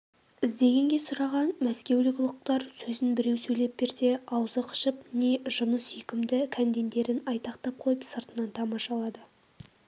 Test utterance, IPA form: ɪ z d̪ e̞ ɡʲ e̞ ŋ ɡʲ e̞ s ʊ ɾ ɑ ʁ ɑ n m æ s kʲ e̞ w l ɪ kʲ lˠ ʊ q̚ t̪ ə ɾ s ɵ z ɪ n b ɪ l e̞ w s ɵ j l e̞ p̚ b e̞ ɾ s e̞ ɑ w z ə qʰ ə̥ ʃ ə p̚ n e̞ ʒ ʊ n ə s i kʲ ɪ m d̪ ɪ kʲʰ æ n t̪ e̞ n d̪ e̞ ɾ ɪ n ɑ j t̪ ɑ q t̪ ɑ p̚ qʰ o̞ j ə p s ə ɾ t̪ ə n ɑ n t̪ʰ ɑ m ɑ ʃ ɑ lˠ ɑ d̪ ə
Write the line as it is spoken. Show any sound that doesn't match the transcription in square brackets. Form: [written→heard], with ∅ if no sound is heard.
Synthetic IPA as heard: ɪ z d̪ e̞ ɡʲ e̞ ŋ ɡʲ e̞ s ʊ ɾ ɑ ʁ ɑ n m æ s kʲ e̞ w l ɪ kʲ lˠ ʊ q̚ t̪ [ə→ɑ] ɾ s ɵ z ɪ n b ɪ [l→ɾ] e̞ w s ɵ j l e̞ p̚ b e̞ ɾ s e̞ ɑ w z ə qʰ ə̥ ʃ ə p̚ n e̞ ʒ ʊ n ə s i kʲ ɪ m d̪ ɪ kʲʰ æ n [t̪→d̪] e̞ n d̪ e̞ ɾ ɪ n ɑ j t̪ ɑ q t̪ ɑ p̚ qʰ o̞ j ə p s ə ɾ t̪ ə n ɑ n t̪ʰ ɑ m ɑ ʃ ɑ lˠ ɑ d̪ ə